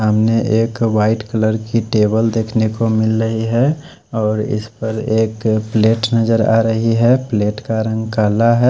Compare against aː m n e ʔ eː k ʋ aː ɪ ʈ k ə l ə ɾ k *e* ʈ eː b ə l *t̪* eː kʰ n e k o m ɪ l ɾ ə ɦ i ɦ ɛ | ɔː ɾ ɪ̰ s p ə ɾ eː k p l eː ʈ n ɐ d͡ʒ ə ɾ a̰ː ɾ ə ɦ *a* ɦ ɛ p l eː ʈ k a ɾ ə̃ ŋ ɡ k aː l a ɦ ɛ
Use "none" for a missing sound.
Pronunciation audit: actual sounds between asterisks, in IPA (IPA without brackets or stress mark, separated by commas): i, d̪, i